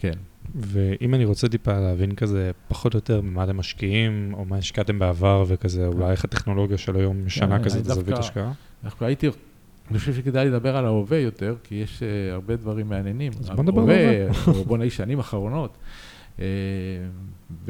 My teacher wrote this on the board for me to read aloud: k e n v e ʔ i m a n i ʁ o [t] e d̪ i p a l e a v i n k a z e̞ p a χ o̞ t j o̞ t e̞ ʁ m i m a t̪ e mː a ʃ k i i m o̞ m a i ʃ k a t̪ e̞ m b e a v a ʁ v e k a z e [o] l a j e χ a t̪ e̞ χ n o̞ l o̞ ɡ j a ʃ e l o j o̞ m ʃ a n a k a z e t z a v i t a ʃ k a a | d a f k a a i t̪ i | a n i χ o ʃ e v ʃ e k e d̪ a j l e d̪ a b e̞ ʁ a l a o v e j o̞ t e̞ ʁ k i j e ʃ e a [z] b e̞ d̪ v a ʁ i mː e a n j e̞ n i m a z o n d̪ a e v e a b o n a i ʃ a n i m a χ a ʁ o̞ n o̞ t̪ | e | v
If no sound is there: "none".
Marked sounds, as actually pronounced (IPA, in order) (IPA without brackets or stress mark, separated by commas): t͡s, u, ʁ